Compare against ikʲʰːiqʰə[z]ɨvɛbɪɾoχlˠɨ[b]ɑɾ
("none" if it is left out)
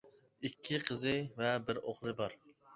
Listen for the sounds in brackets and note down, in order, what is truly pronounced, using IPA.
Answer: z, b

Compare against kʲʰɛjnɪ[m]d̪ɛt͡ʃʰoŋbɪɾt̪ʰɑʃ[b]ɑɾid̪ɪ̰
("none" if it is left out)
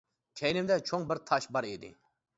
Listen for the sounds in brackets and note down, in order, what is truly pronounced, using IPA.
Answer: m, b

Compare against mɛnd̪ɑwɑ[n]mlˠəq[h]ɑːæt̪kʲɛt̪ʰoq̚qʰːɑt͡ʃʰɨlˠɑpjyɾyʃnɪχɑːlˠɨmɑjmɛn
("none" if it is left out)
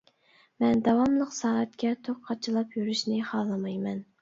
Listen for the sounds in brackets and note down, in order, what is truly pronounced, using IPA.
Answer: none, s

